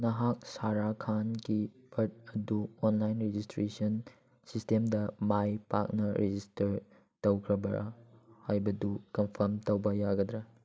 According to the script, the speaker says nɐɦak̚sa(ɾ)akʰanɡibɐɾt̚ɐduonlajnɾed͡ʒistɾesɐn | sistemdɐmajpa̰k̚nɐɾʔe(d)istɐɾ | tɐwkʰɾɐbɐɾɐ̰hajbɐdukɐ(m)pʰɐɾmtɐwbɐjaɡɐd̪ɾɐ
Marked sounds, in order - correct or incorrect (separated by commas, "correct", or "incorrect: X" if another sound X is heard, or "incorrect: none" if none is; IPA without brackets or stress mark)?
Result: correct, incorrect: d͡ʒ, correct